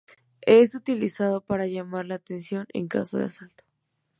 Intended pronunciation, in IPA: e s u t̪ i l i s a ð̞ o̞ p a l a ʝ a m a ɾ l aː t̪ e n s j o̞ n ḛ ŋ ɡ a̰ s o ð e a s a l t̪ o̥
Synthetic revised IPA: e s u t̪ i l i s a ð̞ o̞ p a ɾ a ʝ a m a ɾ l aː t̪ e n s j o̞ n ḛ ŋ k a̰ s o ð e a s a l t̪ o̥